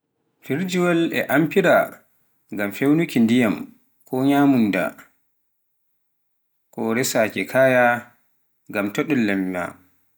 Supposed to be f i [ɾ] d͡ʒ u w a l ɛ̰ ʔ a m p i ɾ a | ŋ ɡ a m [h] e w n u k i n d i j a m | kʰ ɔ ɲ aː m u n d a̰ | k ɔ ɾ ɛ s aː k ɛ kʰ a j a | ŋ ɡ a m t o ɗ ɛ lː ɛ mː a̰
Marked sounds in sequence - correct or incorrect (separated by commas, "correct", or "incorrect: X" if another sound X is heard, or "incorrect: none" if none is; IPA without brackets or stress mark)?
correct, incorrect: f